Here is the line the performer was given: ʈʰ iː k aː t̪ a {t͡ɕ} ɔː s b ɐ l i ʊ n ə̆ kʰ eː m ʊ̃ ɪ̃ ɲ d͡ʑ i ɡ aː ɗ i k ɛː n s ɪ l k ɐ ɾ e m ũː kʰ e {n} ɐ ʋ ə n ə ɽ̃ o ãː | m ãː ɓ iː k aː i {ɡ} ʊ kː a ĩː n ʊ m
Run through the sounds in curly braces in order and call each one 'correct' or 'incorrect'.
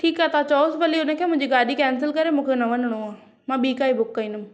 correct, correct, incorrect

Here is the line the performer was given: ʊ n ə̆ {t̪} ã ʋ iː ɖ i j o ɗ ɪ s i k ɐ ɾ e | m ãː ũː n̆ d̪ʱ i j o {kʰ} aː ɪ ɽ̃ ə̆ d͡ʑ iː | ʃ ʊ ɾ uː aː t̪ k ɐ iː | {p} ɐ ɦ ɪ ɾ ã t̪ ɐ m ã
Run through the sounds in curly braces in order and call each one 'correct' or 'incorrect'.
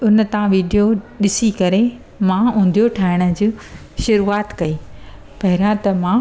correct, incorrect, correct

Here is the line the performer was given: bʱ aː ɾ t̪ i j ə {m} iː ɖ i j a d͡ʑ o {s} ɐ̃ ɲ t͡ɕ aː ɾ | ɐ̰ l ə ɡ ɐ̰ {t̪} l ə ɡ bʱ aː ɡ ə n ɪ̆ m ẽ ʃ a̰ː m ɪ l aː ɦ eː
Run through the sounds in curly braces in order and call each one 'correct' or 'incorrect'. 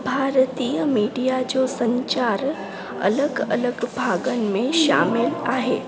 correct, correct, incorrect

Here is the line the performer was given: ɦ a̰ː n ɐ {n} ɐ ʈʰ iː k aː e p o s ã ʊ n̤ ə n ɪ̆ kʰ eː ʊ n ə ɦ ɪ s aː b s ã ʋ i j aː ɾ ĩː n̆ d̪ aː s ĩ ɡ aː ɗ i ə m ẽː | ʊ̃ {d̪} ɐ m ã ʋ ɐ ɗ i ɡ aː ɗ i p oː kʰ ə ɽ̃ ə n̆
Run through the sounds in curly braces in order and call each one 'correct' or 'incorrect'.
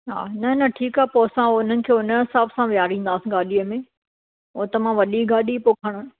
correct, incorrect

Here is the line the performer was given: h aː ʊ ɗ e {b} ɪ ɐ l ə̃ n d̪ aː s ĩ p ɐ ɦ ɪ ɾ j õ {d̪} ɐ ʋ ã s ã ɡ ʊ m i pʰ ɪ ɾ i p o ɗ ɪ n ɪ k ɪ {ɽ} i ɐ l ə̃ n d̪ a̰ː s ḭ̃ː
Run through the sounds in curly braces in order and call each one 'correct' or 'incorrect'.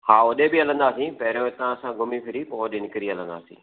correct, incorrect, incorrect

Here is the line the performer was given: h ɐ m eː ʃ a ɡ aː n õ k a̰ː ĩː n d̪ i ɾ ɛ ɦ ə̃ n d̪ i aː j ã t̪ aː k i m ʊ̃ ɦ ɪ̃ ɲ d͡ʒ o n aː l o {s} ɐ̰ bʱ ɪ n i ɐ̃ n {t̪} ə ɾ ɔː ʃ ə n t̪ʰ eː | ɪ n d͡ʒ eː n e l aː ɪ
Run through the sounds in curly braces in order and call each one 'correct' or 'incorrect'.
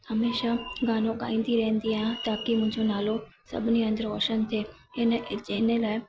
correct, incorrect

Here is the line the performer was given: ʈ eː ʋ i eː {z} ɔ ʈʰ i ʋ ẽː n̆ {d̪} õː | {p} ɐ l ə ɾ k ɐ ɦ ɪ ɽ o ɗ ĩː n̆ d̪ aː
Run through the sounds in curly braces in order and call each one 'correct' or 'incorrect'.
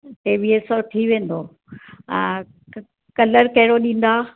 incorrect, correct, incorrect

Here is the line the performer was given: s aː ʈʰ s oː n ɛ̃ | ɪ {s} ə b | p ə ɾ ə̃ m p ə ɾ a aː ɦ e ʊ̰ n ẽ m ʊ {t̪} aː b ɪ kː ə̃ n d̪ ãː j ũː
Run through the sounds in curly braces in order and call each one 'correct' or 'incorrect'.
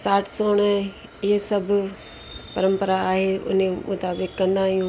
correct, correct

